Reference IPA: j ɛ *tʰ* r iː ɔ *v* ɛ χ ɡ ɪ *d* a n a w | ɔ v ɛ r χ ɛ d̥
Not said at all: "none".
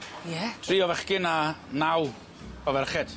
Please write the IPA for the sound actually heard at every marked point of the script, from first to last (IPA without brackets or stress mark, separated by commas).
tʰ, v, n